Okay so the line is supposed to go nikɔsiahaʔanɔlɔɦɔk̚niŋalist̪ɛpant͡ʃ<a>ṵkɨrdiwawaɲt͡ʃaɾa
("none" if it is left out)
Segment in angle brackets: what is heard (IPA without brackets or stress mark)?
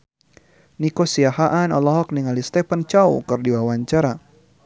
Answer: a